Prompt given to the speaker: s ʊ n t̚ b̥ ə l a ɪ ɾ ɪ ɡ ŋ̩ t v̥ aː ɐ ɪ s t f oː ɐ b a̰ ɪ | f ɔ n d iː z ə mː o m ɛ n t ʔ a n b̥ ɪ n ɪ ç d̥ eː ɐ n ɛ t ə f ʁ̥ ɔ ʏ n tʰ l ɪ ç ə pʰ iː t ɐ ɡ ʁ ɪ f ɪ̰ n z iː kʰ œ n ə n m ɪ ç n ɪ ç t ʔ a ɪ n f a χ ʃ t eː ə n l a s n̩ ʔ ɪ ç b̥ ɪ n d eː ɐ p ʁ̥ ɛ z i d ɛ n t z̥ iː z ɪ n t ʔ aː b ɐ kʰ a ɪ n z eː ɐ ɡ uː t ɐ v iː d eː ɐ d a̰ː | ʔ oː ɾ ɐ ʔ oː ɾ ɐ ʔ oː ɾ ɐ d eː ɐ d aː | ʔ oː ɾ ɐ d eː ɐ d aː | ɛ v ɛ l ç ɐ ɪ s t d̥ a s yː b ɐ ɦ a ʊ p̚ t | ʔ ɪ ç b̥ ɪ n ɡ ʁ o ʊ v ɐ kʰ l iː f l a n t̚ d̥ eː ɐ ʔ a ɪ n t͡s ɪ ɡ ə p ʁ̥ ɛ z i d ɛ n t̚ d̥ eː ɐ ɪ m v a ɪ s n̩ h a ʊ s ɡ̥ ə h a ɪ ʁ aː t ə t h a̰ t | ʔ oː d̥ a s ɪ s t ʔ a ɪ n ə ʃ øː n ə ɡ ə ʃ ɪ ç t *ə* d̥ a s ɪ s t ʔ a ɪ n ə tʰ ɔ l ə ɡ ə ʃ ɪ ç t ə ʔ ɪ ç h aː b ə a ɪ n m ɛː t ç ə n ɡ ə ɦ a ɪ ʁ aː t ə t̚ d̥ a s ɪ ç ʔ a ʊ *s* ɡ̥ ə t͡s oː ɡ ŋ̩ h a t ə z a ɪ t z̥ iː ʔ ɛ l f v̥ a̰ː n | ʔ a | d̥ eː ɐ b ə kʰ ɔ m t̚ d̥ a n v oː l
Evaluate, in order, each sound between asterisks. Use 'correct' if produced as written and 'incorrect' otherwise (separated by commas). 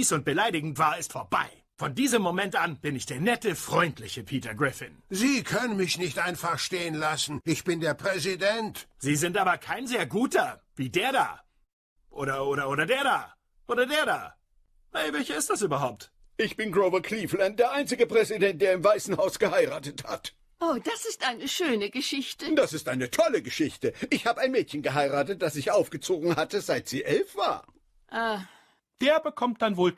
correct, incorrect